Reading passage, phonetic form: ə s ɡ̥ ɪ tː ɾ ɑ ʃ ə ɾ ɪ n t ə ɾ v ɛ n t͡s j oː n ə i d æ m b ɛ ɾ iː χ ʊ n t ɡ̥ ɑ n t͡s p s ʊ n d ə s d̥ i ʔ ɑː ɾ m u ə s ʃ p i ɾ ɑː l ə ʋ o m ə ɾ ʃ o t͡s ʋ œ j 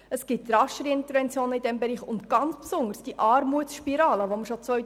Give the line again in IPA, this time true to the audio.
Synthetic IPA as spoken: ə s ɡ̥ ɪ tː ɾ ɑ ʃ ə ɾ ɪ n t ə ɾ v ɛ n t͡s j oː n ə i d ɛ m b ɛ ɾ iː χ ʊ n t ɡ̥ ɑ n t͡s p s ʊ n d ə s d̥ i ʔ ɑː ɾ m u ə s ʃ p i ɾ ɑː l ə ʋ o m ə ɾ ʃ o t͡s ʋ œ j